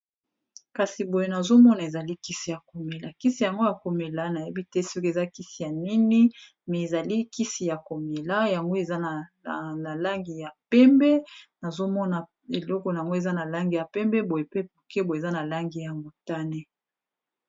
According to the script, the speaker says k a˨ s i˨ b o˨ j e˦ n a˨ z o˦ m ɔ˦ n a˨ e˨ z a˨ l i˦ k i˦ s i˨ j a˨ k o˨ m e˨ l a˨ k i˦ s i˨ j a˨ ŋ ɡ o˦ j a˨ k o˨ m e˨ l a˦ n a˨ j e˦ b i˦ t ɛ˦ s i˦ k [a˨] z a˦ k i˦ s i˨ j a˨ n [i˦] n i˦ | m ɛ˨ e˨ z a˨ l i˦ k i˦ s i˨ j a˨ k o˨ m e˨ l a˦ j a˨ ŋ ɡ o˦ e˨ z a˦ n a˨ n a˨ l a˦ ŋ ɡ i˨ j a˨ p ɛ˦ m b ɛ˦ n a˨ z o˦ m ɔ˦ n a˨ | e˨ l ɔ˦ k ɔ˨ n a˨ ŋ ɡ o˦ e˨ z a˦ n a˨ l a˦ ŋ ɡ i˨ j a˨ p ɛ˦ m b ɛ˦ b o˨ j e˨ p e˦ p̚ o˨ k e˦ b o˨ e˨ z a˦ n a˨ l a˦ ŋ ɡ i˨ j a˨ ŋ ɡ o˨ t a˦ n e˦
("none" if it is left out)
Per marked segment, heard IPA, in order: e˨, i˦

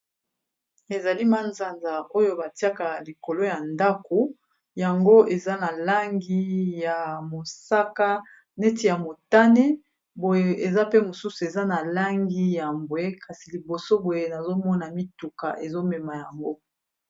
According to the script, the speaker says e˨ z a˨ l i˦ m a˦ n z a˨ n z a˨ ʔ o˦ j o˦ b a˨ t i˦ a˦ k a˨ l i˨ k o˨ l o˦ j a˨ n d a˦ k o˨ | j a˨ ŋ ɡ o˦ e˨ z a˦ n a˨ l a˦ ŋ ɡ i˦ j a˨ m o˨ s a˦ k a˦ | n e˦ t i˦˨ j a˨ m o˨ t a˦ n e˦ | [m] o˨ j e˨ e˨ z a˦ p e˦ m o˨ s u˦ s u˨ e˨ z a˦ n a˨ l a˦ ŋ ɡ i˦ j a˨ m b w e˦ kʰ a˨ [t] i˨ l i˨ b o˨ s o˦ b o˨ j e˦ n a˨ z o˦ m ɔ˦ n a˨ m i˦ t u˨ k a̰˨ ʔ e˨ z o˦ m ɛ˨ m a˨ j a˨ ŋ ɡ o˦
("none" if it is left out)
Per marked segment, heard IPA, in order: b, s

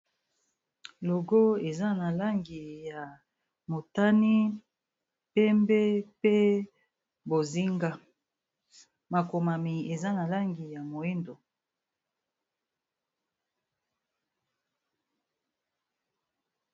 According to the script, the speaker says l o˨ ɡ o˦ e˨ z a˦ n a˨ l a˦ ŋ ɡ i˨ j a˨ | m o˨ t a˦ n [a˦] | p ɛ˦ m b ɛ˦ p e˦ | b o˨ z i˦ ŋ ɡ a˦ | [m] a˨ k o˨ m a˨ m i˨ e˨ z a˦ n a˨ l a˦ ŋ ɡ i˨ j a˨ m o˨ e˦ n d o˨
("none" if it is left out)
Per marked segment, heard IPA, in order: i˦, m

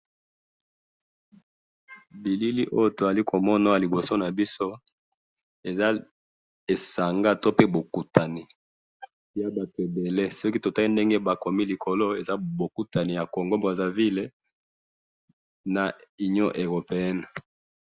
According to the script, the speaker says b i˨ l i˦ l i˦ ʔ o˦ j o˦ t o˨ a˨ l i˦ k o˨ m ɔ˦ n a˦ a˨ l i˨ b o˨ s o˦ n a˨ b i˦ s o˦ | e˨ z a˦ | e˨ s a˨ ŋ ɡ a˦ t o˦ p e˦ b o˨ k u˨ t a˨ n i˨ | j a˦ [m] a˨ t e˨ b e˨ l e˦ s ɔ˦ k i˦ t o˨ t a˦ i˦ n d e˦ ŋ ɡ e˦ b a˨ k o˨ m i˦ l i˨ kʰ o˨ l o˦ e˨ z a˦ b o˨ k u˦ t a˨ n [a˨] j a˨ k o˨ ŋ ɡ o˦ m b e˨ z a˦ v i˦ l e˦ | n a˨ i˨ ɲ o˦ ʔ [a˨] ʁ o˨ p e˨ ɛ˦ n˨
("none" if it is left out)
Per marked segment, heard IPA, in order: b, i˨, e˨

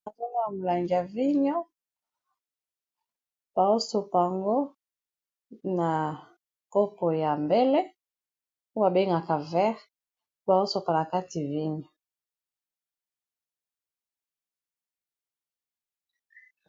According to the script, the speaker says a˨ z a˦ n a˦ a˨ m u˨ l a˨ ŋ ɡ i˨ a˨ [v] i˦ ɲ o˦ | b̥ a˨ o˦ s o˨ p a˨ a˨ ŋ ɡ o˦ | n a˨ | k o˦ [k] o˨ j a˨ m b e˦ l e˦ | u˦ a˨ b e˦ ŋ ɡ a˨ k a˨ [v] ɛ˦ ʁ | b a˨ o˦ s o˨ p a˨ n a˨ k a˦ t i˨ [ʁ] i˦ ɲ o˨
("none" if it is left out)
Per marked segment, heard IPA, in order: v, p, v, v

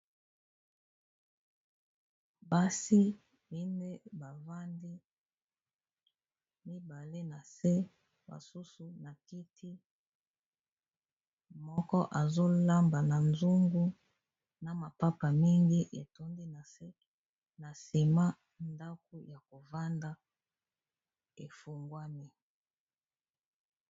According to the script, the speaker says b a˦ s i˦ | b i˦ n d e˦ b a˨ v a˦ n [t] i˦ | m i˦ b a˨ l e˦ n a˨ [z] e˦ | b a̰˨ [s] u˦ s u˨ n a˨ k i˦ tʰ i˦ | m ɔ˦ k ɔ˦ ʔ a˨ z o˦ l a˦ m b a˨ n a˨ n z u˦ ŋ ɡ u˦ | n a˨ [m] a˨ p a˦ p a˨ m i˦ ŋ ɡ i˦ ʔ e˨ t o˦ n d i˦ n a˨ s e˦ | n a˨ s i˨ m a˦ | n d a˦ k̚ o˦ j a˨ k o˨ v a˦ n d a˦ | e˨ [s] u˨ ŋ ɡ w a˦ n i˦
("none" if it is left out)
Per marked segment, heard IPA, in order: d, s, s, m, f

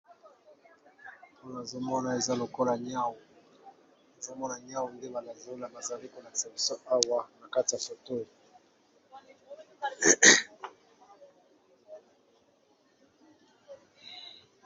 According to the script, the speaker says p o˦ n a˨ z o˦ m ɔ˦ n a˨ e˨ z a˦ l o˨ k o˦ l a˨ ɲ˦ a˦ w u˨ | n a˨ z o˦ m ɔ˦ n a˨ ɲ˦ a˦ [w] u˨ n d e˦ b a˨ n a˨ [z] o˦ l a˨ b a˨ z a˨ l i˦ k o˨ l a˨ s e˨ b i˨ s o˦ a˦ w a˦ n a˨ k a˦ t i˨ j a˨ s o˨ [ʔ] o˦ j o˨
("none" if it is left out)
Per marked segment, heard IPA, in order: w, z, t

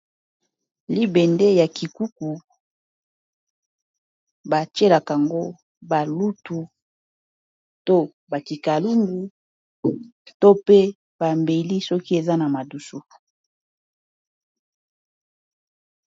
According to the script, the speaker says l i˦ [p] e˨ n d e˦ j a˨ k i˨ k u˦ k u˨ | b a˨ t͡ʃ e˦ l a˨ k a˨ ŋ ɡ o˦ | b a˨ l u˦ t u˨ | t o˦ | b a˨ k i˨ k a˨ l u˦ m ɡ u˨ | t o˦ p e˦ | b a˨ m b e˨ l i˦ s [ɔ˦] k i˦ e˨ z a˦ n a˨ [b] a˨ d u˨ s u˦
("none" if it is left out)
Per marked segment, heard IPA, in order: b, ɔ˦, m

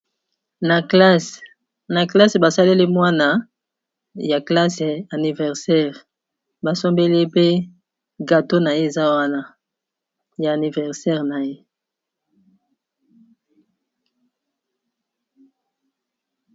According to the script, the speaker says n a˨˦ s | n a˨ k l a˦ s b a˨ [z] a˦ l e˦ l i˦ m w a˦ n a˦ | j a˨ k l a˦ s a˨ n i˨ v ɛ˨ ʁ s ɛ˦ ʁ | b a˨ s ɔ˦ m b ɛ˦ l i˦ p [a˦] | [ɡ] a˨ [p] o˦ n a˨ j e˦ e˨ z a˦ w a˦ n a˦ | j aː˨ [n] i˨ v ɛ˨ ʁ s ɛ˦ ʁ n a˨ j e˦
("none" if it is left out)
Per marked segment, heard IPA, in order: s, e˦, ɡ, t, n

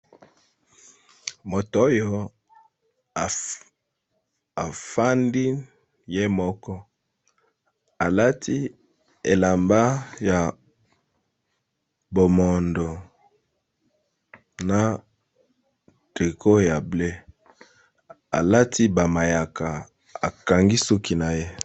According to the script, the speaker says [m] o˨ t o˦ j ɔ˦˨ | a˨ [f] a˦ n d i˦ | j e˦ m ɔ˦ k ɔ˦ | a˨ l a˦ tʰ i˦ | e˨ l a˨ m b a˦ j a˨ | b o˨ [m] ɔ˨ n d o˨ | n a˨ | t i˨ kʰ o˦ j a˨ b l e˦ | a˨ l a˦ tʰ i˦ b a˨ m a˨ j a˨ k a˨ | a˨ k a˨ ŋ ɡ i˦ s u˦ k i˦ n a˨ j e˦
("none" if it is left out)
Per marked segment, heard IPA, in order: m, f, m

